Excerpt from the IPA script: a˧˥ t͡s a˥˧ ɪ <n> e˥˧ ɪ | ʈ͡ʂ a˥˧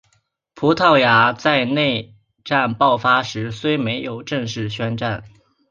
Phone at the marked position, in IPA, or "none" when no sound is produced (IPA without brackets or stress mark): n